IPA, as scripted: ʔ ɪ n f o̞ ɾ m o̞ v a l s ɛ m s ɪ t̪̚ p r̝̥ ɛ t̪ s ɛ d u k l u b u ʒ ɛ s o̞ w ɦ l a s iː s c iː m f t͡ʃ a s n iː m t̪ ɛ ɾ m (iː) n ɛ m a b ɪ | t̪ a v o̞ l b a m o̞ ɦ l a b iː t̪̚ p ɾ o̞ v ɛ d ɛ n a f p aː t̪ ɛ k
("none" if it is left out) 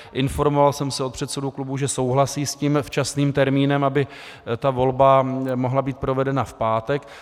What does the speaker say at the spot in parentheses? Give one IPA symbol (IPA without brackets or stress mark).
iː